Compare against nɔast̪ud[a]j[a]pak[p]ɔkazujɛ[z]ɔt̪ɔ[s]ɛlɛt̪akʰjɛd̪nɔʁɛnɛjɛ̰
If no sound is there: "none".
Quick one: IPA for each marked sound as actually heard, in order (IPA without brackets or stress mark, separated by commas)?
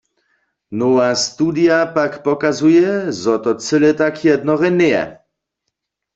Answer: i, a, p, z, t͡s